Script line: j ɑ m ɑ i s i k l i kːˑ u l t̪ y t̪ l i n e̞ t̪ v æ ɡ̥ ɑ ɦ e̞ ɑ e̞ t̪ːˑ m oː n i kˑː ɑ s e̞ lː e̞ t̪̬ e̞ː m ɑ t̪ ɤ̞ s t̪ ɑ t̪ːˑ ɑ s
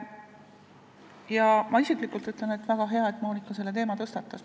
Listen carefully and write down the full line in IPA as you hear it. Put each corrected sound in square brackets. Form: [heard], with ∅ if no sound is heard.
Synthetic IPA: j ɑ m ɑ i s i k l i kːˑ u l t̪ y t̪ l [e] n e̞ t̪ v æ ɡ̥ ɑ ɦ e̞ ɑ e̞ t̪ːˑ m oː n i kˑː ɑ s e̞ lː e̞ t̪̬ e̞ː m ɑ t̪ ɤ̞ s t̪ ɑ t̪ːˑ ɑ s

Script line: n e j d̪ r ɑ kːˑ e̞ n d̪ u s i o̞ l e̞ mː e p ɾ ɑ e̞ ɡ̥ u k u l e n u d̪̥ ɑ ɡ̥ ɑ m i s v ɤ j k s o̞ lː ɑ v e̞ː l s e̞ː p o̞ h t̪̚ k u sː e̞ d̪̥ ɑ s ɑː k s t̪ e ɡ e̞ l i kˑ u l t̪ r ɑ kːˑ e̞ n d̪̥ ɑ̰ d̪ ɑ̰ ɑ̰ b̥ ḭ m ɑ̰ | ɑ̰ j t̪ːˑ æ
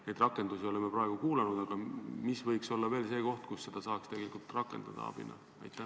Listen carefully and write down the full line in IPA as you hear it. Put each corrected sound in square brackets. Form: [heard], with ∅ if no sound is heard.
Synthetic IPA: n e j d̪ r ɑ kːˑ e̞ n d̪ u s i o̞ l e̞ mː e p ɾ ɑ e̞ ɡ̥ u k [uː] l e n u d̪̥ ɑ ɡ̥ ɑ m i s v ɤ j k s o̞ lː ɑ v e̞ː l s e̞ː [k] o̞ h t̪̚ k u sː e̞ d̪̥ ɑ s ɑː k s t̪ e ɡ e̞ l i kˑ u l t̪ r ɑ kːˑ e̞ n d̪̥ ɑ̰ d̪ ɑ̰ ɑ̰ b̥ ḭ [n] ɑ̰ | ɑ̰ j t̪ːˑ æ

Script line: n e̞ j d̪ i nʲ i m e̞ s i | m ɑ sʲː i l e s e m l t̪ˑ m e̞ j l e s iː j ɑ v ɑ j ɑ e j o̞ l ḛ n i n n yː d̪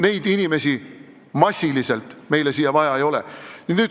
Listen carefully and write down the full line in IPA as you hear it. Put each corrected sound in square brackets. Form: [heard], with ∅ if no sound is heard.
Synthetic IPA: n e̞ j d̪ i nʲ i m e̞ s i | m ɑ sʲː i l [i] s e [∅] l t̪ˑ m e̞ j l e s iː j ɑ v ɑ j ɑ e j o̞ l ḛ n i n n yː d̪

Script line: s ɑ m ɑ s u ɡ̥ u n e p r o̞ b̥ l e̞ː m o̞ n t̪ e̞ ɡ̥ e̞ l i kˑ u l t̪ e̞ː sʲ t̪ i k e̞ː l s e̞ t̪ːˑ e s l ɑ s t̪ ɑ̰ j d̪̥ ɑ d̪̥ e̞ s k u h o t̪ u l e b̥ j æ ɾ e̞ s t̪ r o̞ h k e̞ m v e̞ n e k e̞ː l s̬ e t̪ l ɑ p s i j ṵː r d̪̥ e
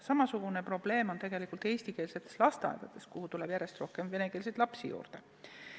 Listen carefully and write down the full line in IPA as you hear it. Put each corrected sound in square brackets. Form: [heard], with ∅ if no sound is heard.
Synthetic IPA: s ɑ m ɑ s u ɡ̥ u n e p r o̞ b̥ l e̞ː m o̞ n t̪ e̞ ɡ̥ e̞ l i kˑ u l t̪ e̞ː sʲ t̪ i k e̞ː l s e̞ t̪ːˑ e s l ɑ s t̪ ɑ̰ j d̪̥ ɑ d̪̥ e̞ s k u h [u] t̪ u l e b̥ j æ ɾ e̞ s t̪ r o̞ h k e̞ m v e̞ n e k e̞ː l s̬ e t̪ l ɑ p s i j ṵː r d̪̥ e

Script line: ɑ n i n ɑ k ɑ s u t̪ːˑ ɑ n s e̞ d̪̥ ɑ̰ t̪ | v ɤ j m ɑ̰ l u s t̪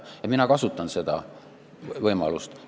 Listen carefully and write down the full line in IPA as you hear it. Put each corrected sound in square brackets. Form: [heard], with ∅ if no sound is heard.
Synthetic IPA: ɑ [m] i n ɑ k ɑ s u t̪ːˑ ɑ n s e̞ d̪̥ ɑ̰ [∅] | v ɤ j m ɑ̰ l u s t̪

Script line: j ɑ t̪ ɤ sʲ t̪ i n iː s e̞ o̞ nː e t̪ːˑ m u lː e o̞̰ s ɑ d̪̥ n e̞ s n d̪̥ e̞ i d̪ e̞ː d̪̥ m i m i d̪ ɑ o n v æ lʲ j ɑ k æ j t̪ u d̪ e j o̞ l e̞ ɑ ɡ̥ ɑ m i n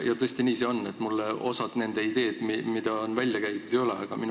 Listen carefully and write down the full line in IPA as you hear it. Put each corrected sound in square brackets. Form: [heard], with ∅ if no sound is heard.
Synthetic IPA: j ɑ t̪ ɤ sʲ t̪ i n iː s e̞ o̞ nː e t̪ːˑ m u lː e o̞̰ s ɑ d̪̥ n e̞ [∅] n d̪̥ e̞ i d̪ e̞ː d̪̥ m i m i d̪ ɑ o n v æ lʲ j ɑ k æ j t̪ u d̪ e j o̞ l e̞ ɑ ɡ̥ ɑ m i n

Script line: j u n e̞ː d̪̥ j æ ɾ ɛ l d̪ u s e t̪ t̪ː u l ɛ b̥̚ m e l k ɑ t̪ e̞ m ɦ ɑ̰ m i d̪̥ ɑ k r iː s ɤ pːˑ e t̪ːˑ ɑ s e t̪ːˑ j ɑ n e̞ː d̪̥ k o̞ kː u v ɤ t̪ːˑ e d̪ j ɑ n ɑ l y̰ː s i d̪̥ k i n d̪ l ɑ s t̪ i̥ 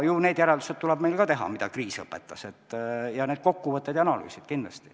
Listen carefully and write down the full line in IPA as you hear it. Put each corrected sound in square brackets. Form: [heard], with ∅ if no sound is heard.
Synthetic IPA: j u n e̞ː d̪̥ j æ ɾ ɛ l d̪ u s e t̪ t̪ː u l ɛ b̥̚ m e l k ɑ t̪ e̞ [∅] ɦ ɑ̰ m i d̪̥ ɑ k r iː s ɤ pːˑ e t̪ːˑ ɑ s e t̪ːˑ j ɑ n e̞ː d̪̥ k o̞ kː u v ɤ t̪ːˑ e d̪ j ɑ n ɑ l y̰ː s i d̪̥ k i n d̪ l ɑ s t̪ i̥

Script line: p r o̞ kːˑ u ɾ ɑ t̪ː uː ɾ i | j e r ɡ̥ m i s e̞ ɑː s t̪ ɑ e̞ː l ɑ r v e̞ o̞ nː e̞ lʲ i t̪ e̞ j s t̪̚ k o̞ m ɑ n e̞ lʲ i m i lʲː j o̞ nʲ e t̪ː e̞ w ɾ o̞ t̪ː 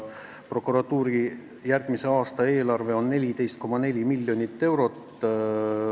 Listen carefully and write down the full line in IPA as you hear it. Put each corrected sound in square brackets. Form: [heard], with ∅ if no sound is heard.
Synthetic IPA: p r o̞ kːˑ u ɾ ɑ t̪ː uː ɾ i | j [æ] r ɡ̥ m i s e̞ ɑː s t̪ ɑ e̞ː l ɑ r v e̞ o̞ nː e̞ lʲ i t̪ e̞ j s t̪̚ k o̞ m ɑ n e̞ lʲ i m i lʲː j o̞ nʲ [i] t̪ː e̞ w ɾ o̞ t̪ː

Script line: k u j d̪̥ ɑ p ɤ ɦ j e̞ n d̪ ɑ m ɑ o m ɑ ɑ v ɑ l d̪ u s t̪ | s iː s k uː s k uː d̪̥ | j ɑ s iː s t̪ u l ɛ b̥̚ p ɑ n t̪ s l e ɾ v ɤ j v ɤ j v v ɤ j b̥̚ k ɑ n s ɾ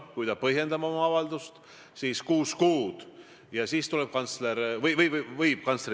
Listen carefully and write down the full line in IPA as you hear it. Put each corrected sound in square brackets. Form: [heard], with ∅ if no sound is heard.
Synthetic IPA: k u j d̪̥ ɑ p ɤ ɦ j e̞ n d̪ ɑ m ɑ o m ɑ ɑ v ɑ l d̪ u s t̪ | s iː s k uː s k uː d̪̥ | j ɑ s iː s t̪ u l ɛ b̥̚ [k] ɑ n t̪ s l e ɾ v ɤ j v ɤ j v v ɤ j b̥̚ k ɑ n s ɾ

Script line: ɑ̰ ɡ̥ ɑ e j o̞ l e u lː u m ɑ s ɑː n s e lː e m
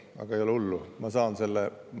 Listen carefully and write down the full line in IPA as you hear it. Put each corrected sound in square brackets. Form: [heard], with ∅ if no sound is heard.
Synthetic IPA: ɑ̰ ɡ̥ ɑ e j o̞ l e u lː u m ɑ s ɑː n s e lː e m

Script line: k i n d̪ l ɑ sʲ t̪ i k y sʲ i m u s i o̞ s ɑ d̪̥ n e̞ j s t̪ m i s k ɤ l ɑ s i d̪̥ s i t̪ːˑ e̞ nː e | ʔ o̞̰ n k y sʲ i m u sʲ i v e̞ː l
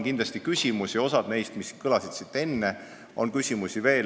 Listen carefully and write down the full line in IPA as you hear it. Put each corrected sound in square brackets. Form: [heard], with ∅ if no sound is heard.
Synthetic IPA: k i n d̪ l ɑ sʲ t̪ i k y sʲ i m u s i o̞ s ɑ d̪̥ n e̞ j s t̪ m i s k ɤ l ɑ s i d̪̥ s i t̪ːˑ e̞ nː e | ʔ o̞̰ n k y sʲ i m u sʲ i v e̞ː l

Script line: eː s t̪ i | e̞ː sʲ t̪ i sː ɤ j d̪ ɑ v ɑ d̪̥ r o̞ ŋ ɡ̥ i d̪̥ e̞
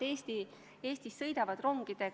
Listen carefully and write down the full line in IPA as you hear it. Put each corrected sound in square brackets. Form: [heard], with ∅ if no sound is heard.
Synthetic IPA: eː s t̪ i | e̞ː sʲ t̪ i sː ɤ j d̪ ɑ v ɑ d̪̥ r o̞ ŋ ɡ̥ i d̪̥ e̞

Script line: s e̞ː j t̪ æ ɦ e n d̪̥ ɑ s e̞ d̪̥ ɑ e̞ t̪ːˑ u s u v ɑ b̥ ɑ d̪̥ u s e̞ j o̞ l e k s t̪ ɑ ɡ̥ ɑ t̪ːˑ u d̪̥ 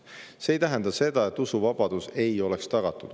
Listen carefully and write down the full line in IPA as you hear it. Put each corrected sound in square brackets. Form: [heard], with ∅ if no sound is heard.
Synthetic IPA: s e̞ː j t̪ æ ɦ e n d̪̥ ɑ s e̞ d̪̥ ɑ e̞ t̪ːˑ u s u v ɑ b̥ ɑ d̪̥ u s e̞ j o̞ l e k s t̪ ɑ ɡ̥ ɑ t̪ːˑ u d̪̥

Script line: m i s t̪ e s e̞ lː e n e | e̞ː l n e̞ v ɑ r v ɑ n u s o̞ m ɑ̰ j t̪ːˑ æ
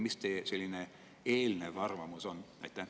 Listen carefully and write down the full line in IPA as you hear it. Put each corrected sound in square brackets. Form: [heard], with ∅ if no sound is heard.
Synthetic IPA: m i s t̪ e s e̞ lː [i] n e | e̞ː l n e̞ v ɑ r v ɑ [m] u s o̞ [n] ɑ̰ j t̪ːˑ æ

